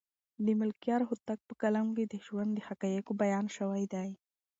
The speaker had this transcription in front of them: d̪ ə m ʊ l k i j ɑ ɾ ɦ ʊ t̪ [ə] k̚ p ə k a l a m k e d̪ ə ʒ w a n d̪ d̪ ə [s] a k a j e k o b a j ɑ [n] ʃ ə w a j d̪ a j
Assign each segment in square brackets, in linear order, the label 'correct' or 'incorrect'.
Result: incorrect, incorrect, correct

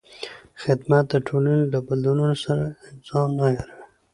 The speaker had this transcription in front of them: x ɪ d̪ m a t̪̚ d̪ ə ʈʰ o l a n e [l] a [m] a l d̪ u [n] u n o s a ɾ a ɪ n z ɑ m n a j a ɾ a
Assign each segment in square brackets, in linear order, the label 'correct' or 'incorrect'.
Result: correct, incorrect, correct

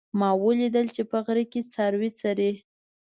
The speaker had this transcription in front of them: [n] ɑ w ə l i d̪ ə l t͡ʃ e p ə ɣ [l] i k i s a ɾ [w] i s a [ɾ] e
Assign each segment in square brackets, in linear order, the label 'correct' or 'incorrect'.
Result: incorrect, incorrect, correct, correct

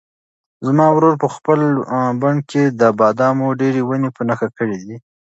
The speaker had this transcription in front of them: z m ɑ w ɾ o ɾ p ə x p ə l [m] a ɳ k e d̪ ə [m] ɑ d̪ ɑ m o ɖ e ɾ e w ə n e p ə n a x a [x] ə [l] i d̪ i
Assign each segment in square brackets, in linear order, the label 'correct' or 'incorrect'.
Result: incorrect, incorrect, incorrect, incorrect

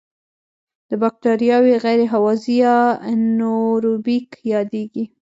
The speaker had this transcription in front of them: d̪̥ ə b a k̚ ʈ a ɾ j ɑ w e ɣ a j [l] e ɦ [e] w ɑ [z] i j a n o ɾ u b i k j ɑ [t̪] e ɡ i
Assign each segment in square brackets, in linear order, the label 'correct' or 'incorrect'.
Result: incorrect, incorrect, correct, incorrect

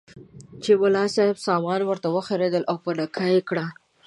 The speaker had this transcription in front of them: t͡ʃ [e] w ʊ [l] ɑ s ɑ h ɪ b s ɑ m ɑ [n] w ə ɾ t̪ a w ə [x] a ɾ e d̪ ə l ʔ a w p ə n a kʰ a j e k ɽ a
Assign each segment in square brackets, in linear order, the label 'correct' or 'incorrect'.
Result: correct, correct, correct, correct

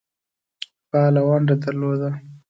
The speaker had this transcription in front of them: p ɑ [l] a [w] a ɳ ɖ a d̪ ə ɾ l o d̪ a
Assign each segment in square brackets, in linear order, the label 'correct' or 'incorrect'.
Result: correct, correct

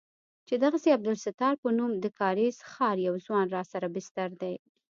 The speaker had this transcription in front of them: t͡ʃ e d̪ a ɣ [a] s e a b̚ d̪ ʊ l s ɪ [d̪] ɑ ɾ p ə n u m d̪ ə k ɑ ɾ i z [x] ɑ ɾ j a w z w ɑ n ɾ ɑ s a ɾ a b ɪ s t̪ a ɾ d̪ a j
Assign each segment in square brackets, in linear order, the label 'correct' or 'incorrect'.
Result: correct, incorrect, correct

